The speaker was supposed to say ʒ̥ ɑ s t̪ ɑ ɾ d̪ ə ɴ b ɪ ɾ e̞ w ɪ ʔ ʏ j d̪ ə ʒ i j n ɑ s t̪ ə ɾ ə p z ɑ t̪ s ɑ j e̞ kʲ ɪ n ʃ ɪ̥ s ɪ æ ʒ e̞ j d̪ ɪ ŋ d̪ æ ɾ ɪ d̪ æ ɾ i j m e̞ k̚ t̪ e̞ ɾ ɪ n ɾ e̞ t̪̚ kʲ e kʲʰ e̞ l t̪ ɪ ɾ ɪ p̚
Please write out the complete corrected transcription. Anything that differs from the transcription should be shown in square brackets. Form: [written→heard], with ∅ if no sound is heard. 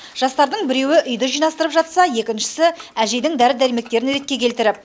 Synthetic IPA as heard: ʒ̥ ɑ s t̪ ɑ ɾ d̪ ə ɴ b ɪ ɾ e̞ w ɪ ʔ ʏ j d̪ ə ʒ i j n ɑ s t̪ ə ɾ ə p [z→ʒ] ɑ t̪ s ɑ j e̞ kʲ ɪ n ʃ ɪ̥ s ɪ æ ʒ e̞ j d̪ ɪ ŋ d̪ æ ɾ ɪ d̪ æ ɾ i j m e̞ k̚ t̪ e̞ ɾ ɪ n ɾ e̞ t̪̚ kʲ e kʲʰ e̞ l t̪ ɪ ɾ ɪ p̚